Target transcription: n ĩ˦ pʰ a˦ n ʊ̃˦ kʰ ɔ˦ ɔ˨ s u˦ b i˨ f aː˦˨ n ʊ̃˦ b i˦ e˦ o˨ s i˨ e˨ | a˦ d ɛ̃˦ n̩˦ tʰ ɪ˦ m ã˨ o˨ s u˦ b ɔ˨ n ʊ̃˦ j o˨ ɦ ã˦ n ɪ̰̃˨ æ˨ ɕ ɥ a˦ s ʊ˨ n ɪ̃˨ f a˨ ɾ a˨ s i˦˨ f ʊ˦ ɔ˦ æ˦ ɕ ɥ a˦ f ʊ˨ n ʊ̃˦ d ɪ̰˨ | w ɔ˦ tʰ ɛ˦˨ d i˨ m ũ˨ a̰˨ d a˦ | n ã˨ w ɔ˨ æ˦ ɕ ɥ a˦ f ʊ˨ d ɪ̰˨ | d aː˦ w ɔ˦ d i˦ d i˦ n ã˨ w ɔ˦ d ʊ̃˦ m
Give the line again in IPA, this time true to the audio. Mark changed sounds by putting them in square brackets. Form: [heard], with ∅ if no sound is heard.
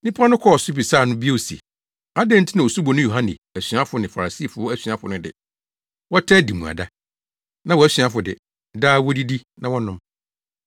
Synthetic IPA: n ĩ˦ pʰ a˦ n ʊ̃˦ kʰ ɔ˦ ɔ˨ s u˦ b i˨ [s] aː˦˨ n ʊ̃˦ b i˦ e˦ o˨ s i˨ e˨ | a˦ d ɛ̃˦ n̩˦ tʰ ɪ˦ [n] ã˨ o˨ s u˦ b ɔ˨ n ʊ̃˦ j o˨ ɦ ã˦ n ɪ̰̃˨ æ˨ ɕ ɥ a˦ [f] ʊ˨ n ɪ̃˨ f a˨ ɾ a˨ s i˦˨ f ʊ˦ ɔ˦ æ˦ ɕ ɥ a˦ f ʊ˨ n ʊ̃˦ d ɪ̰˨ | w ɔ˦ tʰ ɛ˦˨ d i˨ m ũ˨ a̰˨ d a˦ | n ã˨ w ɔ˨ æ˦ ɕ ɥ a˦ f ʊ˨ d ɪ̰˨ | d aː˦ w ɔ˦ d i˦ d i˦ n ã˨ w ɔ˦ [n] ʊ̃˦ m